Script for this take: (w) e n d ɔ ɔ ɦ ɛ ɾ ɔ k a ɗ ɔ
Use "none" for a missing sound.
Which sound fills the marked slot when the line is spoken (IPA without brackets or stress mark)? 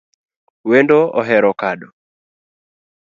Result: w